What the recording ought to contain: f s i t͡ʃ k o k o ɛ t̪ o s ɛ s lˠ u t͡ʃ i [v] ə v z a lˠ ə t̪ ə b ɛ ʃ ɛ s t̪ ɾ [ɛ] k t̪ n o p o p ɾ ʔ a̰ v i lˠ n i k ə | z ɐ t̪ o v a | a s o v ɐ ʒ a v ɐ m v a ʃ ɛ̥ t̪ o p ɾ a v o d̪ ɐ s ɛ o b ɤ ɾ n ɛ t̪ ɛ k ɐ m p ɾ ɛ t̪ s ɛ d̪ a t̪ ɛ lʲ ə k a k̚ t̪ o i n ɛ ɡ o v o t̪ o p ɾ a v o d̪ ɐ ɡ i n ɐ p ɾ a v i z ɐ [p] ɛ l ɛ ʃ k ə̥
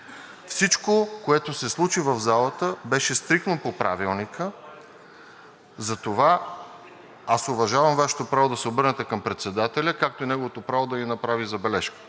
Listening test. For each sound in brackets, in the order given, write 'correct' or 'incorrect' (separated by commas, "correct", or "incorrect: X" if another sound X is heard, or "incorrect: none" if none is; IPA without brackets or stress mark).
correct, incorrect: i, incorrect: b